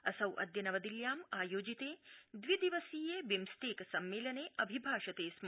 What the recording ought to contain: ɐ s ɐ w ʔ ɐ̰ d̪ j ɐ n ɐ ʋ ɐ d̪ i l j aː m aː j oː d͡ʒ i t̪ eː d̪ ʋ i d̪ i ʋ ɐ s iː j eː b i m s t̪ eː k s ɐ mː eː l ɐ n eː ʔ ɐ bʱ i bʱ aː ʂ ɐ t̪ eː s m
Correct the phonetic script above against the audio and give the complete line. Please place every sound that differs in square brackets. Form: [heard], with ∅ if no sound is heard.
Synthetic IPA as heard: ɐ s ɐ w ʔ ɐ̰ d̪ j ɐ n ɐ ʋ ɐ d̪ i l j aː m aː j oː d͡ʒ i t̪ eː d̪ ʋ i d̪ i ʋ ɐ s iː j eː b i m s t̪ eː k s ɐ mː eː l ɐ n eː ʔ ɐ bʱ i bʱ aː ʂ ɐ t̪ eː s m